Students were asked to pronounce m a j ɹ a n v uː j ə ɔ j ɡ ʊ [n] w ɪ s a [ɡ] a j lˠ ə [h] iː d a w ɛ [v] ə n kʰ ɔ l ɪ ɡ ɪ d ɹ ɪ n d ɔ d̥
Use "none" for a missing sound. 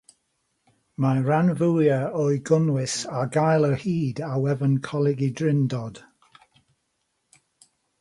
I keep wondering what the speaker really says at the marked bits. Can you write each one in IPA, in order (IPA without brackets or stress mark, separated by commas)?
n, ɡ, h, v